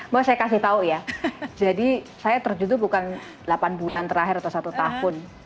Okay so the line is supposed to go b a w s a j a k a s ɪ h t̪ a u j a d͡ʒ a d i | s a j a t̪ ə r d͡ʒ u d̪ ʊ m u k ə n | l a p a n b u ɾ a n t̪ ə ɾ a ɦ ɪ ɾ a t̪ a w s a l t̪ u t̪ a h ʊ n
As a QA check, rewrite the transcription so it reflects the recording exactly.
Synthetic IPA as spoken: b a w s a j a k a s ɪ h t̪ a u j a d͡ʒ a d i | s a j a t̪ ə r d͡ʒ u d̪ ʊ b u k a n | l a p a n b u l a n t̪ ə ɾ a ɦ ɪ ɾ a t̪ a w s a t̪ u t̪ a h ʊ n